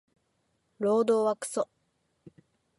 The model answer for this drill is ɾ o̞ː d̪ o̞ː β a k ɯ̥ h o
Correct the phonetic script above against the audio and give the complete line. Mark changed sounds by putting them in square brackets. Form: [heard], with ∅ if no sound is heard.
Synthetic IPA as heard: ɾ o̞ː d̪ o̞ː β a k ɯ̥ [s] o